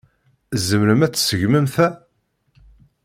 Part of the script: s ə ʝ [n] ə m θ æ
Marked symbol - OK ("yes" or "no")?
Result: no